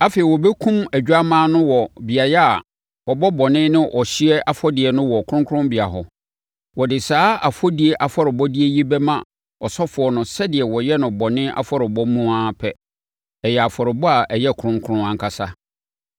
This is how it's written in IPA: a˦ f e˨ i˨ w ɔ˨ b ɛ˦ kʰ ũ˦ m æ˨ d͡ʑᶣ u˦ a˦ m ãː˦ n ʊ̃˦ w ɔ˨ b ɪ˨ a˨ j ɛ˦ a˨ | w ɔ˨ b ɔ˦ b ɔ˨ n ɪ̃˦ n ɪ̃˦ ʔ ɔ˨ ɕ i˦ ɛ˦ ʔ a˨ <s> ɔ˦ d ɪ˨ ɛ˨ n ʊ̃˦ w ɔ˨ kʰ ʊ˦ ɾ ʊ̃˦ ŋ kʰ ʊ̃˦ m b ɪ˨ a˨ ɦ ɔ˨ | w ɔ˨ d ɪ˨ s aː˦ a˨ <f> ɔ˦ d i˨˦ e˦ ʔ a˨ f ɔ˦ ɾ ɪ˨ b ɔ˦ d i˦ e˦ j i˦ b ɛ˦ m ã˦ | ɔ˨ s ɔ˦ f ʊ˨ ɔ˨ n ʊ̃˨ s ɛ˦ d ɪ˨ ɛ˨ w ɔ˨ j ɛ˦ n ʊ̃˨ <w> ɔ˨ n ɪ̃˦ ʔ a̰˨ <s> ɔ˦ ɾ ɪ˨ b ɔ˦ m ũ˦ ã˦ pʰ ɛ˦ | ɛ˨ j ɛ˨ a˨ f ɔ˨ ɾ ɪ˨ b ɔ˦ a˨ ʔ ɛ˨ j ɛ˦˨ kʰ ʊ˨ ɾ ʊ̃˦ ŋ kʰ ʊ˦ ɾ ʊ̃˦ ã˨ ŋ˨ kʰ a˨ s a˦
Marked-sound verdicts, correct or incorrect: incorrect: f, correct, incorrect: b, incorrect: f

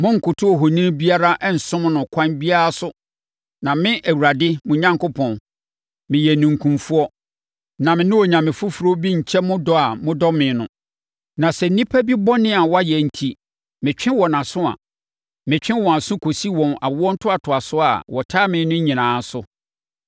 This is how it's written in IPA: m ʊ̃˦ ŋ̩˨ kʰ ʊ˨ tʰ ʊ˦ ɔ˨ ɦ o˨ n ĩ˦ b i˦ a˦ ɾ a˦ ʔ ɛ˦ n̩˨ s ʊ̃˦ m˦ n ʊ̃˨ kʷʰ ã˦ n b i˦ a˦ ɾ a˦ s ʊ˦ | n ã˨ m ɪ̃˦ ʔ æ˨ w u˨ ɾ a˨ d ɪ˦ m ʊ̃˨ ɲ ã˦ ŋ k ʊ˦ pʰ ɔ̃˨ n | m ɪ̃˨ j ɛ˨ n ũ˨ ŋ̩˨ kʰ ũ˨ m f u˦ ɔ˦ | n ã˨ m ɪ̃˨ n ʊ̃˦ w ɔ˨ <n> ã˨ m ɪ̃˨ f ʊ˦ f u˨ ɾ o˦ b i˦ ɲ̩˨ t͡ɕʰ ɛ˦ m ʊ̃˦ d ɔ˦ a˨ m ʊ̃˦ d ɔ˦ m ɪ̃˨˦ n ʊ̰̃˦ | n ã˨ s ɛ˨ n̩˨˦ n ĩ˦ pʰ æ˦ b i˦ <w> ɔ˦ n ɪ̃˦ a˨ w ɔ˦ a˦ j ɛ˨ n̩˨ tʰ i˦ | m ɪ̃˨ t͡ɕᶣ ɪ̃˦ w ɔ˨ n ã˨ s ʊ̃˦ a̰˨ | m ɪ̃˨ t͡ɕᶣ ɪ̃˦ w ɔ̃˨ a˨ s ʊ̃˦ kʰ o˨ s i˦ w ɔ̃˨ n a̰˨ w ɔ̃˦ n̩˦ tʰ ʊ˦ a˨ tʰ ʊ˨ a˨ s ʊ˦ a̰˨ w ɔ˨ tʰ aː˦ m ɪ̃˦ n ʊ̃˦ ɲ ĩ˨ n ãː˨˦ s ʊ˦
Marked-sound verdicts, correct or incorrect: incorrect: ɲ, incorrect: b

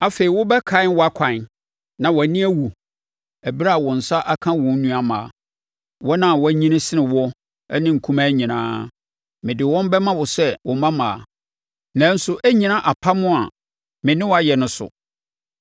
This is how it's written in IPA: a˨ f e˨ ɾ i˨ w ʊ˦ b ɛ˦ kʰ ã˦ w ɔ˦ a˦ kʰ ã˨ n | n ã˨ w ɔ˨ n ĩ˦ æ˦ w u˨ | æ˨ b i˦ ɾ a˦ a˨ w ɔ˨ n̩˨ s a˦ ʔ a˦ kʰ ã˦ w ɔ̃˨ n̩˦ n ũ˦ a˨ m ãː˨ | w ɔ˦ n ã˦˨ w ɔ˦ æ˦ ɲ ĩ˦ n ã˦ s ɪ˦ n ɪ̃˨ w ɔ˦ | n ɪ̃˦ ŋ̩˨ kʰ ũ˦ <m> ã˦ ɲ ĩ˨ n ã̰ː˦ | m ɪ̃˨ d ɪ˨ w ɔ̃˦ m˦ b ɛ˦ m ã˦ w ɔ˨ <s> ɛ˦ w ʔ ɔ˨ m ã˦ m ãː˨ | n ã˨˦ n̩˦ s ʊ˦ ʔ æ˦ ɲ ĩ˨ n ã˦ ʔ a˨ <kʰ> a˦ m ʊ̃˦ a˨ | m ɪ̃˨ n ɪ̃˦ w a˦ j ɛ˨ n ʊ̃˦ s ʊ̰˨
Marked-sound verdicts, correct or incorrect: correct, correct, incorrect: pʰ

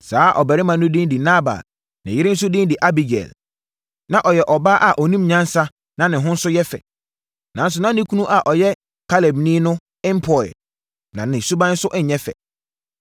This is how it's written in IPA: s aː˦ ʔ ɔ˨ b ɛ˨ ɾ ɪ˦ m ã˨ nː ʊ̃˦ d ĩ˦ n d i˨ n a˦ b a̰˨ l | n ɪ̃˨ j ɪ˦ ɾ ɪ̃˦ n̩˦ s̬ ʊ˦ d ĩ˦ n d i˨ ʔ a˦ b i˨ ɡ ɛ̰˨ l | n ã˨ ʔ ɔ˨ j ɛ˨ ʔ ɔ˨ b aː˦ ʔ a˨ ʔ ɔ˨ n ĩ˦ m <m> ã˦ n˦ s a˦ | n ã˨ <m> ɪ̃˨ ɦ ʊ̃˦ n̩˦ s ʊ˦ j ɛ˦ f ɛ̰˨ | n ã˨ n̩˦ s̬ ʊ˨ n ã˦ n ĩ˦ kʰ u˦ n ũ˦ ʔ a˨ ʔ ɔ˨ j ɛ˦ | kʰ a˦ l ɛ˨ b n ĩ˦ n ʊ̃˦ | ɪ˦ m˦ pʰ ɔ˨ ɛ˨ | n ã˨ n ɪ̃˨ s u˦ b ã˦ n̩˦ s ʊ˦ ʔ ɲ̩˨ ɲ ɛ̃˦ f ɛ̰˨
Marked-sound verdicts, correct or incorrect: incorrect: ɲ, incorrect: n

